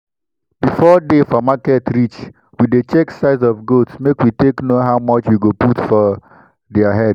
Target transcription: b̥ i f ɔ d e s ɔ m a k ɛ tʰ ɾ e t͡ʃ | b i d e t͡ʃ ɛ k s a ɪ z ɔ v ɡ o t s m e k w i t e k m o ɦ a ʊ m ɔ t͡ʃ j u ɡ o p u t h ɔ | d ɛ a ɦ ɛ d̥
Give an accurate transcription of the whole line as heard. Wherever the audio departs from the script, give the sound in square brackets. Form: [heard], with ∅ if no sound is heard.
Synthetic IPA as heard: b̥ i f ɔ d e [f] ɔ m a k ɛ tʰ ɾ [i] t͡ʃ | [w] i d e t͡ʃ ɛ k s a ɪ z ɔ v ɡ o t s m e k w i t e k [n] o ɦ a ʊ m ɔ t͡ʃ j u ɡ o p u t [f] ɔ | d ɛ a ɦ ɛ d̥